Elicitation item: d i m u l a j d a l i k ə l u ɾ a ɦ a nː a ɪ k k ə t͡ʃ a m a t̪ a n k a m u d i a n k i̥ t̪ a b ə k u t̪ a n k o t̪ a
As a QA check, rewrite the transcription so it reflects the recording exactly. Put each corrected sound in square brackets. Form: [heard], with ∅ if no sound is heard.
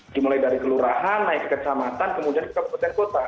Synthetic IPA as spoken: d i m u l a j d a [ɾ] i k ə l u ɾ a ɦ a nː a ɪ k k ə t͡ʃ a m a t̪ a n k [ə] m u d i a n k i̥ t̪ a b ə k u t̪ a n k o t̪ a